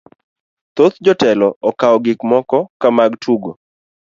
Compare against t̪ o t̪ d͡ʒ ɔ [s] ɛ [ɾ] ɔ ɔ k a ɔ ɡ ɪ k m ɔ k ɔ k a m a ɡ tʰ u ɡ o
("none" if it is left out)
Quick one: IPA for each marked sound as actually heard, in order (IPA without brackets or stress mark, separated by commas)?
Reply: t, l